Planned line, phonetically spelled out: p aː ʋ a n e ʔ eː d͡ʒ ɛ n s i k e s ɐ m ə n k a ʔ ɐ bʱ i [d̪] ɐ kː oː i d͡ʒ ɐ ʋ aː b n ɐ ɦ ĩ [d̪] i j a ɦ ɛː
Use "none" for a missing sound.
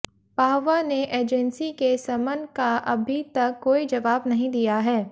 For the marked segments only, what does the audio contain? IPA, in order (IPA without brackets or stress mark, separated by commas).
t̪, d̪